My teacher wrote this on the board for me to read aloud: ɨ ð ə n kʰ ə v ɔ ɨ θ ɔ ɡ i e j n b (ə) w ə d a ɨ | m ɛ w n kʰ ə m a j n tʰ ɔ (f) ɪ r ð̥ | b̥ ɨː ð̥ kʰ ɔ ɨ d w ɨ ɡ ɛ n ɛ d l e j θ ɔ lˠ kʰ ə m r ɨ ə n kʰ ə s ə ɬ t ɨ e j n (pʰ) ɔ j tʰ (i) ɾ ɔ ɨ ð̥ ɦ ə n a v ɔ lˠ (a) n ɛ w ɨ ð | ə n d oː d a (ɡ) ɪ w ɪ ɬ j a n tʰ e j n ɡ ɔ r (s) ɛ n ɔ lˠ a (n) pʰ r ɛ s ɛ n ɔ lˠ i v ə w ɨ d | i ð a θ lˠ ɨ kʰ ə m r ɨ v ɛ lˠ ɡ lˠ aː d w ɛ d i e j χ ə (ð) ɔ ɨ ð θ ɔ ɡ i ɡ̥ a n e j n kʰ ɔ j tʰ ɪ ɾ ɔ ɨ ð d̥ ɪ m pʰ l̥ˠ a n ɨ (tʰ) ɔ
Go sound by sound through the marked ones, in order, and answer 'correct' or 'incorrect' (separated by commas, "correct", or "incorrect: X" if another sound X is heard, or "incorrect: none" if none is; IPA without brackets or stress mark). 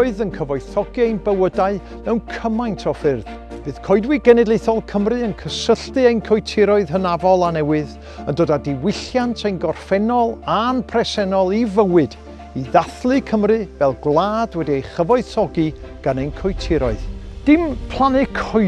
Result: correct, correct, incorrect: kʰ, incorrect: ɪ, correct, incorrect: d, incorrect: f, correct, incorrect: v, incorrect: kʰ